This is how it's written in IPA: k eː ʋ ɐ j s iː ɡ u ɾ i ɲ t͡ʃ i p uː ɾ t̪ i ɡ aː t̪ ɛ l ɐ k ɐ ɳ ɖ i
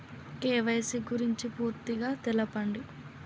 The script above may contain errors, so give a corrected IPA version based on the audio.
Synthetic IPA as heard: k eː ʋ ɐ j s i ɡ u ɾ i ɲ t͡ʃ i p uː ɾ t̪ i ɡ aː t̪ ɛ l ɐ p ɐ ɳ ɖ i